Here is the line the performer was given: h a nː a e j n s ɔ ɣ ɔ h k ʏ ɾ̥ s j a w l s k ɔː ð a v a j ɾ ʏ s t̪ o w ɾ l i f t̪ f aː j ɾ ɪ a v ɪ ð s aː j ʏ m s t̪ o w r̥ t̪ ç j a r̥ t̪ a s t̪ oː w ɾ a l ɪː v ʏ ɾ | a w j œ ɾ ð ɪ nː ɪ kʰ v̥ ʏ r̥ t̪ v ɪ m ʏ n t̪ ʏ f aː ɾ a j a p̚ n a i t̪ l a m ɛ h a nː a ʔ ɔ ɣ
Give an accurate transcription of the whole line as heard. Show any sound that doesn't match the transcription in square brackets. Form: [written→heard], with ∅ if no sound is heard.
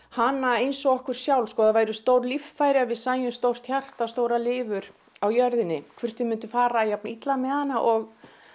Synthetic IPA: h a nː a e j n s ɔ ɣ ɔ h k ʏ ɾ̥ s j a w l s k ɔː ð a v a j ɾ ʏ s t̪ o w ɾ l i f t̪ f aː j ɾ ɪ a v ɪ ð s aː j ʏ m s t̪ o w r̥ t̪ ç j a r̥ t̪ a s t̪ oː w ɾ a l ɪː v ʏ ɾ | a w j œ ɾ ð ɪ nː ɪ kʰ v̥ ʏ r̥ t̪ v ɪ m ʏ n t̪ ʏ f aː ɾ a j a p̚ n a i t̪ l a m ɛ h a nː a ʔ ɔ ɣ

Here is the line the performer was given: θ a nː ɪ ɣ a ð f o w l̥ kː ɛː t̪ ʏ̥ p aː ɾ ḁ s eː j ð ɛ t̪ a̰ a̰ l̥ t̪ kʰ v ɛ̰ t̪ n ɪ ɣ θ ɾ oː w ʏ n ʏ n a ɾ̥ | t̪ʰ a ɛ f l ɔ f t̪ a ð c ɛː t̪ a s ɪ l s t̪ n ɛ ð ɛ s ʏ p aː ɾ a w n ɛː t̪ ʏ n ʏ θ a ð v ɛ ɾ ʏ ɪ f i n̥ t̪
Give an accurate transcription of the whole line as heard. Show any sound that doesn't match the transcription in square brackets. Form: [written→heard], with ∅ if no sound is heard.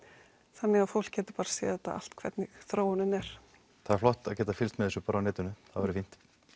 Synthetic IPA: θ a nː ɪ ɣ a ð f o w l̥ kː ɛː t̪ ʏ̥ p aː ɾ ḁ s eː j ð ɛ t̪ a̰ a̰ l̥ t̪ kʰ v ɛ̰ t̪ n ɪ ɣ θ ɾ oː w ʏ n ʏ n [a→ɛ] ɾ̥ | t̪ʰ a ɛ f l ɔ [f→h] t̪ a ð c ɛː t̪ a [s→f] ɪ l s t̪ [n→m] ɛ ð ɛ s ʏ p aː ɾ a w n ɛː t̪ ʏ n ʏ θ a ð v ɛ ɾ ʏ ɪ f i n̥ t̪

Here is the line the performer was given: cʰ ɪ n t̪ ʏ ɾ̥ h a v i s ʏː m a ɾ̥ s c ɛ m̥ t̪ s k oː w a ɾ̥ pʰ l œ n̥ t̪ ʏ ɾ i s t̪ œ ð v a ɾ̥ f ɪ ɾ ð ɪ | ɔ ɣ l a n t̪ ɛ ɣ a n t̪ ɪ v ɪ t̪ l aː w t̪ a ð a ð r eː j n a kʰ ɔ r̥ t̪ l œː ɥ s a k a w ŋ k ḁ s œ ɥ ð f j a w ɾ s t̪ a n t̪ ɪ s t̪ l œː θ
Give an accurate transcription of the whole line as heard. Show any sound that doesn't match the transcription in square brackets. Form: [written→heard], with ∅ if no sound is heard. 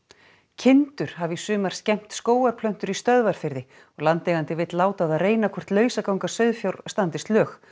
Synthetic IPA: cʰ ɪ n t̪ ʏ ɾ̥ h a v i s ʏː m a ɾ̥ s c ɛ m̥ t̪ s k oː w a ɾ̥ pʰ l œ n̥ t̪ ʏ ɾ i s t̪ œ ð v a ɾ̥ f ɪ ɾ ð ɪ | ɔ ɣ l a n t̪ ɛ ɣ a n t̪ ɪ v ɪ t̪ l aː w t̪ a ð a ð r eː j n a kʰ ɔ r̥ t̪ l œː ɥ s a k a w ŋ k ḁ s œ ɥ ð f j a w ɾ s t̪ a n t̪ ɪ s t̪ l œː [θ→x]

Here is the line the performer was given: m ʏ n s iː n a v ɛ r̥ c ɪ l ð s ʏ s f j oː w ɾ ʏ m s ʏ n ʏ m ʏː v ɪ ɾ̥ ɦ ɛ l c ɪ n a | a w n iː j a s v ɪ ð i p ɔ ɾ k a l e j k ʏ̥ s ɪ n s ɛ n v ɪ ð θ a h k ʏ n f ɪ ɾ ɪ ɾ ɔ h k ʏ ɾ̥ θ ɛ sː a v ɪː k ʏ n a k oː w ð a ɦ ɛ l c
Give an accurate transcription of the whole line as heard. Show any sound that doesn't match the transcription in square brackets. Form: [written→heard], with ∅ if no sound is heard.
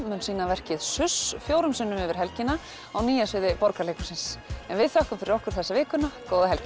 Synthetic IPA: m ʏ n s iː n a v ɛ r̥ c ɪ [l→∅] ð s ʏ s f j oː w ɾ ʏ m s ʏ [n→nː] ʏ m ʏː v ɪ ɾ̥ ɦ ɛ l c ɪ n a | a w n iː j a s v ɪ ð [i→ɪ] p ɔ ɾ k a l e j k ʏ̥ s ɪ n s ɛ n v ɪ ð θ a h k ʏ [n→m] f ɪ ɾ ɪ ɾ ɔ h k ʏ ɾ̥ θ ɛ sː a v ɪː k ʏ n a k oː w ð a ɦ ɛ l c

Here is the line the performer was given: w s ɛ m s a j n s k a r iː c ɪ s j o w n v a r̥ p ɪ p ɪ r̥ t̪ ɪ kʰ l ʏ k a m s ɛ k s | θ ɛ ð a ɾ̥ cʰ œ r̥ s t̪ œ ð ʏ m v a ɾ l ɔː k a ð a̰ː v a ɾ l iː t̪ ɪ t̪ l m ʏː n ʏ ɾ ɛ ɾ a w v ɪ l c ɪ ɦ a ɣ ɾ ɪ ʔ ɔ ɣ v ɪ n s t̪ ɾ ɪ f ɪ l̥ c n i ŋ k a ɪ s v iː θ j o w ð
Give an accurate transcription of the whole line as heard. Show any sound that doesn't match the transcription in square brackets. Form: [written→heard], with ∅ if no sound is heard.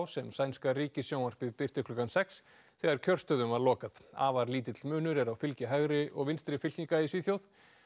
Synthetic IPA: w s ɛ m s a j n s k a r iː c ɪ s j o w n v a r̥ p ɪ p ɪ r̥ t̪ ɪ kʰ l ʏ k a [m→n] s ɛ k s | θ ɛ [ð→ɣ] a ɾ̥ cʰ œ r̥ s t̪ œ ð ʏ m v a ɾ l ɔː k a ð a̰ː v a ɾ l iː t̪ ɪ t̪ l m ʏː n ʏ ɾ ɛ ɾ a w [v→f] ɪ l c ɪ ɦ a ɣ ɾ ɪ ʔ ɔ ɣ v ɪ n s t̪ ɾ ɪ f ɪ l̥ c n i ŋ k a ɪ s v iː θ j o w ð

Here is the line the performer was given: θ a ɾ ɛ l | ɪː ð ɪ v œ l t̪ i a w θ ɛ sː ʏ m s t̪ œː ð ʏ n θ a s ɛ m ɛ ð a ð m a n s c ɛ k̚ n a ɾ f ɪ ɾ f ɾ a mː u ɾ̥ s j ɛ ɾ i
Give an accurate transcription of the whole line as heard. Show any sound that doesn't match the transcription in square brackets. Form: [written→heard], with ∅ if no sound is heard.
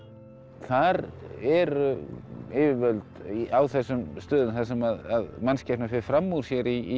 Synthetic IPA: θ a ɾ ɛ [l→ɾ] | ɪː [ð→v] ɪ v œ l t̪ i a w θ ɛ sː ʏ m s t̪ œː ð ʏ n θ a s ɛ m [ɛ→a] ð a ð m a n s c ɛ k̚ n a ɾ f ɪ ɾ f ɾ a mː u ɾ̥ s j ɛ ɾ i

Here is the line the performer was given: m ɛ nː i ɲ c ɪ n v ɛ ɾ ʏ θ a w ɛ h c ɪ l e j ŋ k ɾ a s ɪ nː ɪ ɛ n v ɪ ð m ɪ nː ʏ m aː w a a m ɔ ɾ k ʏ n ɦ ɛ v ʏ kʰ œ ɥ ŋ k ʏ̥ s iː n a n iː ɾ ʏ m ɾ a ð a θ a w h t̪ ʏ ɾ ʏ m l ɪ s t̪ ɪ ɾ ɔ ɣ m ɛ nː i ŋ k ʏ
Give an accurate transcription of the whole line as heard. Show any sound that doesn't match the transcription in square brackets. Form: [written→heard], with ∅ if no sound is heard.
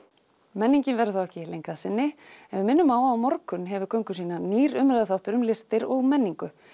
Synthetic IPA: m ɛ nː i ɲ c ɪ n v ɛ ɾ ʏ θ a w ɛ h c ɪ l e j ŋ k ɾ a s ɪ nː ɪ ɛ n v ɪ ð m ɪ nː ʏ m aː w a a m ɔ ɾ k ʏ n ɦ ɛ v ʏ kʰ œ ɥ ŋ k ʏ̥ s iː n a n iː ɾ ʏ m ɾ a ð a θ a w h t̪ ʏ ɾ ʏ m l ɪ s t̪ ɪ ɾ ɔ ɣ m ɛ nː i ŋ k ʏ

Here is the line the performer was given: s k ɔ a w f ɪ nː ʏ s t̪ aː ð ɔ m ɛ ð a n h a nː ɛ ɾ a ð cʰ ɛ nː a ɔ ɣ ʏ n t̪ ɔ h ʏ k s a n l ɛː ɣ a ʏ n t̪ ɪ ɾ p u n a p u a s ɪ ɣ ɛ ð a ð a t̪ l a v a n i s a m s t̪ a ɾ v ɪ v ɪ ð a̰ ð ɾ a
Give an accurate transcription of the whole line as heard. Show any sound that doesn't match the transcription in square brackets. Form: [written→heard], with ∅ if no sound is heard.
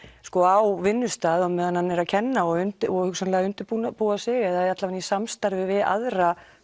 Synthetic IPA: s k ɔ a w [f→v] ɪ nː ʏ s t̪ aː ð ɔ m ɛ ð a n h a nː ɛ ɾ a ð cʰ ɛ nː a ɔ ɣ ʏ n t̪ ɔ h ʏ k s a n l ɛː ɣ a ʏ n t̪ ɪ ɾ p u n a p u a s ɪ ɣ ɛ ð a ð a t̪ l a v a n i s a m s t̪ a ɾ v ɪ v ɪ ð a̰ ð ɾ a

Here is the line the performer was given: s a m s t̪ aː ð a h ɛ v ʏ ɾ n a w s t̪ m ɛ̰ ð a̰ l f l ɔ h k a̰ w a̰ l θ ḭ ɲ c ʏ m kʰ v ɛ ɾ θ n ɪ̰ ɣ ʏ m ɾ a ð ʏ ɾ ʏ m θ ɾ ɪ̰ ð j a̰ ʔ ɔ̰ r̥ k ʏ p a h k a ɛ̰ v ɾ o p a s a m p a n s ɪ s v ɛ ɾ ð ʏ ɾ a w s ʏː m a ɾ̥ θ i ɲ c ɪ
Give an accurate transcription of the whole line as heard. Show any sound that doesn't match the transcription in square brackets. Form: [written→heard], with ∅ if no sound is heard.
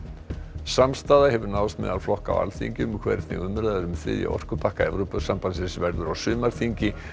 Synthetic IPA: s a m s t̪ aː ð a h ɛ v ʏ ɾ n a w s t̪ m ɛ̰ ð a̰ l f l ɔ h k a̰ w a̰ l θ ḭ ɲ c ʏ m kʰ v ɛ ɾ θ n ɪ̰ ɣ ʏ m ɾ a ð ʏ ɾ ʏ m θ ɾ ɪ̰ ð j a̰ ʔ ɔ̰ r̥ k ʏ p a h k a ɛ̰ v ɾ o p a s a m p a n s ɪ s v ɛ ɾ ð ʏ ɾ a w s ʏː m a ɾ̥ θ i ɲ c ɪ

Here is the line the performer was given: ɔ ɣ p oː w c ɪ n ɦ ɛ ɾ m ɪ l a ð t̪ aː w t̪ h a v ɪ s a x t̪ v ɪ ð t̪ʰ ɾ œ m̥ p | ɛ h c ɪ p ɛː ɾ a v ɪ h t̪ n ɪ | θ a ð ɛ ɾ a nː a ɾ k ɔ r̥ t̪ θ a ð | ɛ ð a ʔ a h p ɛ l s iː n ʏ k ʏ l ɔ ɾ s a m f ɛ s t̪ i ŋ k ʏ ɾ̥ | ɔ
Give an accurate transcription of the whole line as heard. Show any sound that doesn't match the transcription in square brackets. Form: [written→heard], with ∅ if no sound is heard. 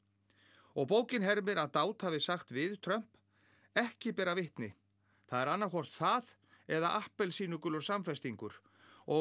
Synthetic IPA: ɔ ɣ p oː w c ɪ n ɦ ɛ ɾ m ɪ [l→ɾ] a ð t̪ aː w t̪ h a v ɪ s a x t̪ v ɪ ð t̪ʰ ɾ œ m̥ p | ɛ h c ɪ p ɛː ɾ a v ɪ h t̪ n ɪ | θ a ð ɛ ɾ a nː a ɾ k ɔ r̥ t̪ θ a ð | ɛ ð a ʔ a h p ɛ l s iː n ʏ k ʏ l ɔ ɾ s a m f ɛ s t̪ i ŋ k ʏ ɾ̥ | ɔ

